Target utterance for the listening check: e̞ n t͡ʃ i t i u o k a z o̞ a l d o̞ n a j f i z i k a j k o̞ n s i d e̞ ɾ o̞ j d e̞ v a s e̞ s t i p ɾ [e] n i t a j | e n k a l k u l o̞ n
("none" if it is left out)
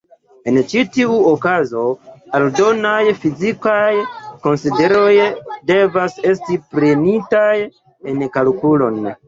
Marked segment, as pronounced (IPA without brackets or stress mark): e